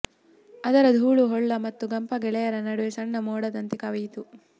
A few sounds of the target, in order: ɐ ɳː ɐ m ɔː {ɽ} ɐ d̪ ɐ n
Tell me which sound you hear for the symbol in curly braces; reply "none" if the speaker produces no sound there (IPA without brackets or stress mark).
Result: ɽ